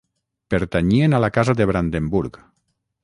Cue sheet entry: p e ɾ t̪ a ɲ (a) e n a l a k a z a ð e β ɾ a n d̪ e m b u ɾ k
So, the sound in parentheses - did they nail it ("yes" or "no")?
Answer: no